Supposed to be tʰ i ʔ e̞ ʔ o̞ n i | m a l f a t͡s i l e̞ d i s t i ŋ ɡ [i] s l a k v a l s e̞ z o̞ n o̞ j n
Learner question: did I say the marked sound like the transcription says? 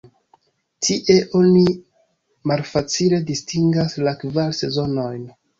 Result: no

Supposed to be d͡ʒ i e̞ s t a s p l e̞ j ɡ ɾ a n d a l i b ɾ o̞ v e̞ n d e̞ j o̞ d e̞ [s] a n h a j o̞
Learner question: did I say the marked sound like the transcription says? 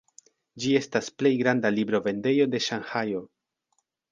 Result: no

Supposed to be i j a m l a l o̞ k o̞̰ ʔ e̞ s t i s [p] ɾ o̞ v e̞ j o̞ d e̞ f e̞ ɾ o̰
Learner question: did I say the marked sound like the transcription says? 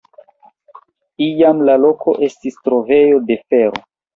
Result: no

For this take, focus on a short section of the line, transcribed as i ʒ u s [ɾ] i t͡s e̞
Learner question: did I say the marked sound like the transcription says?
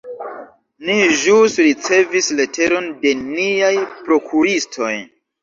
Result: yes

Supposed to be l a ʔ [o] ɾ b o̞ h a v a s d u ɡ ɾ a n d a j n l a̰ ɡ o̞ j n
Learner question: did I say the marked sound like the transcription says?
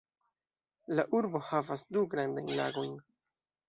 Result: no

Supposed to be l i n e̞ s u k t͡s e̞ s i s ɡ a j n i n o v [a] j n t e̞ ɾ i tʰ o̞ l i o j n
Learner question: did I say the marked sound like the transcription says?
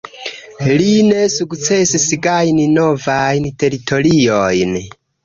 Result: yes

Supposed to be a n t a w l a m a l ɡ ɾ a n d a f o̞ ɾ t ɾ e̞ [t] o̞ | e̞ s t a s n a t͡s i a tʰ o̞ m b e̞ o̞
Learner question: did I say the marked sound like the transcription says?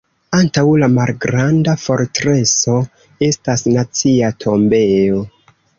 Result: no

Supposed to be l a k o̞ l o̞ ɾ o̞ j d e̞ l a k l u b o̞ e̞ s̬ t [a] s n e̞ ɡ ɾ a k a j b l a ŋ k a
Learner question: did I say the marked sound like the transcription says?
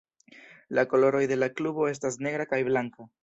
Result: yes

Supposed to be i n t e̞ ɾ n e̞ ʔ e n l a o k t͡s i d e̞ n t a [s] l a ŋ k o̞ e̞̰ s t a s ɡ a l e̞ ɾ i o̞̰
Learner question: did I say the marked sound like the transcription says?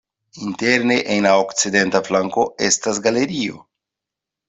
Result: no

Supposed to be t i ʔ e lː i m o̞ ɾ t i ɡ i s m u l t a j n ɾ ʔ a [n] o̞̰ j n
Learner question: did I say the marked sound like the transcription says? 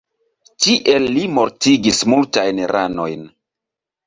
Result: yes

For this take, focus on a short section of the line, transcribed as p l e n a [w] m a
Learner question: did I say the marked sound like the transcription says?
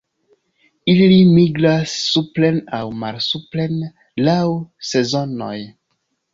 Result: yes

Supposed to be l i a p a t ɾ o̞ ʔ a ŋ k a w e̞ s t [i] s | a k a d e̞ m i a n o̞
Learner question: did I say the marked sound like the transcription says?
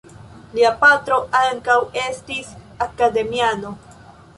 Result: yes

